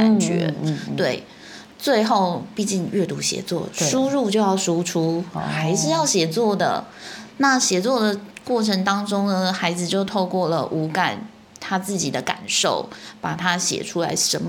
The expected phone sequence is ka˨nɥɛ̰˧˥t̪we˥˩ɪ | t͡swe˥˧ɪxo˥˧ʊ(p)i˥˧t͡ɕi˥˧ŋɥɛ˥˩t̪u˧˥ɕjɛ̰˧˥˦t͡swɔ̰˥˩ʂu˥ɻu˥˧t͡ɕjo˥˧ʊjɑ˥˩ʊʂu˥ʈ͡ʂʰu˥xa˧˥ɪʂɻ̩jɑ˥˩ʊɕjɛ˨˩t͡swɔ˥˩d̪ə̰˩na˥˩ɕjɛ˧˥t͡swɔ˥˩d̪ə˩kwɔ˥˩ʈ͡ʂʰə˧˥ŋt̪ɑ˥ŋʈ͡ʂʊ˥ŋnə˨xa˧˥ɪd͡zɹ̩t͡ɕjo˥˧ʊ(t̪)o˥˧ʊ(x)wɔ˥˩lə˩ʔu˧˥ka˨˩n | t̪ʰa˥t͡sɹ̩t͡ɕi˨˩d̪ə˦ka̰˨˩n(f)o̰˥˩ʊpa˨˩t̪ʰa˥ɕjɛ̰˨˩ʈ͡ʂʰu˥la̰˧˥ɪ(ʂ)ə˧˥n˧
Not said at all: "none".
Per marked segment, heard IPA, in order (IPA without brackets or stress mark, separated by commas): p, t̪ʰ, k, ʂ, ʂ